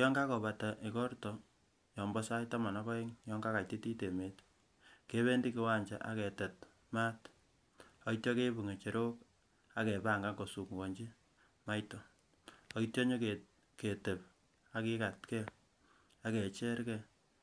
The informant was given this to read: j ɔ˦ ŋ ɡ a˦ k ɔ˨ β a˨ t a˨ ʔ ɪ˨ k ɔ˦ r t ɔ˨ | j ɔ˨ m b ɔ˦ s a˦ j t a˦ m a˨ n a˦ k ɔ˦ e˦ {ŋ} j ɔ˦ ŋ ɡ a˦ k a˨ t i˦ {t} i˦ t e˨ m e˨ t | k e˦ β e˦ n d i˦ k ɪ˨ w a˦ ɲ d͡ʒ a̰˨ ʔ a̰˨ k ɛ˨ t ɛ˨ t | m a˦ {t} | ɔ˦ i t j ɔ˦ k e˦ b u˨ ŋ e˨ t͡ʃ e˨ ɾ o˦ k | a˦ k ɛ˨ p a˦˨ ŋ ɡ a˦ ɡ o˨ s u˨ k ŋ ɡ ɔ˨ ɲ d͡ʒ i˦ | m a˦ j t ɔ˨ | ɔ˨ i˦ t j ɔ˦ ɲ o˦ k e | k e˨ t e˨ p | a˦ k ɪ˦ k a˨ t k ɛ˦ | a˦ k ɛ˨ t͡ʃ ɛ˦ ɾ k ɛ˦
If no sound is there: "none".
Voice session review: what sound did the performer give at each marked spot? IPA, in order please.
ŋ, t, t

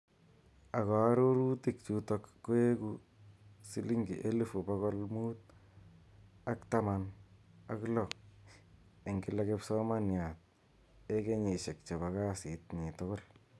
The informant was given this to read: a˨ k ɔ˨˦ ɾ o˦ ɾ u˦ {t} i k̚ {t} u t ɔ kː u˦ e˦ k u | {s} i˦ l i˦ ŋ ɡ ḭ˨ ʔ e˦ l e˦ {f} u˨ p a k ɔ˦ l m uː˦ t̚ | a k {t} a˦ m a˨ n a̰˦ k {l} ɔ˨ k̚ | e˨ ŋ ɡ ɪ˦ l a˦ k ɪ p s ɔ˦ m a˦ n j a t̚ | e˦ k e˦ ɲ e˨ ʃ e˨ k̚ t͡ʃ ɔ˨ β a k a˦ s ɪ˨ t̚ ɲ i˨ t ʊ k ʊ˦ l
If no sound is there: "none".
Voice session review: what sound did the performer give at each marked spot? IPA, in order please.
t, t͡ʃ, s, f, t, l

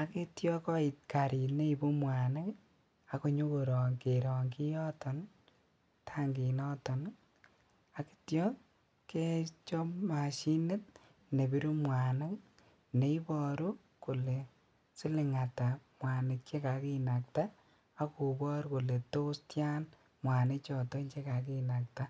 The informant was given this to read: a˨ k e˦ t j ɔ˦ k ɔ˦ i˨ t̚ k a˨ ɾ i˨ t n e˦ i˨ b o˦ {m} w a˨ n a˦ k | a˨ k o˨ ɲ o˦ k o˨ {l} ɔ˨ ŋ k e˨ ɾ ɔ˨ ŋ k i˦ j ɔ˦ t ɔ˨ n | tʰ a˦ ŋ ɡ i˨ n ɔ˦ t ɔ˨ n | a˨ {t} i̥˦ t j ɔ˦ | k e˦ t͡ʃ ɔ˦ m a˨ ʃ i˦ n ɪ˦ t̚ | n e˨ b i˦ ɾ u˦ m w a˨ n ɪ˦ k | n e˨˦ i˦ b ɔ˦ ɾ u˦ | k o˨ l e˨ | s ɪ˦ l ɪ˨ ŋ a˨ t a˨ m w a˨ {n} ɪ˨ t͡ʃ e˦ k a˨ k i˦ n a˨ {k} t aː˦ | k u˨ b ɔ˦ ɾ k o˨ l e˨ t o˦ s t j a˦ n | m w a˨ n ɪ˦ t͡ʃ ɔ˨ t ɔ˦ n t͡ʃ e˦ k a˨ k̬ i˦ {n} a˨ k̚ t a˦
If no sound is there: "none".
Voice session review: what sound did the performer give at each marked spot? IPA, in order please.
m, ɾ, k, n, k, n

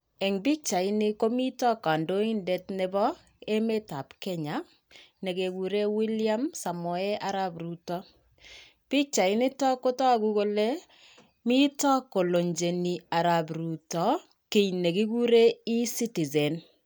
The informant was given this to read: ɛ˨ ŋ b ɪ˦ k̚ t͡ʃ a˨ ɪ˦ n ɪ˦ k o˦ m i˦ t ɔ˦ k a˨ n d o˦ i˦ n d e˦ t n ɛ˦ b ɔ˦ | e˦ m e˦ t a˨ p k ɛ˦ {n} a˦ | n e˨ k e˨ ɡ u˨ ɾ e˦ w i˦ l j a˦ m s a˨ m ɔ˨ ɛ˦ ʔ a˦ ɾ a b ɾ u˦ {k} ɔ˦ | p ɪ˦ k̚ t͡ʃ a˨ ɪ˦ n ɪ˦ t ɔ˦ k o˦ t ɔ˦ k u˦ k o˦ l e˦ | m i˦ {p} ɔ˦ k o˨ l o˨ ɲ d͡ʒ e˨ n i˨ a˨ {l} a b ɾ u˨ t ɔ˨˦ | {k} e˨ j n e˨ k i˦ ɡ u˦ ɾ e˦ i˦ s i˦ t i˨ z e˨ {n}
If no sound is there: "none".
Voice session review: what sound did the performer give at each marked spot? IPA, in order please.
ɲ, t, t, ɾ, k, n

